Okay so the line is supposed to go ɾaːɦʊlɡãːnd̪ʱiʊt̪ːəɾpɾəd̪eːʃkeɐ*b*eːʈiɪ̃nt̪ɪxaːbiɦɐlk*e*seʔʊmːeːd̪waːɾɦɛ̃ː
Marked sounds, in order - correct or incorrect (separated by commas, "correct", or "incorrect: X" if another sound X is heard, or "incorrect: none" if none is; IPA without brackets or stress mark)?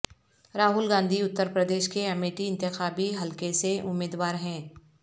incorrect: m, correct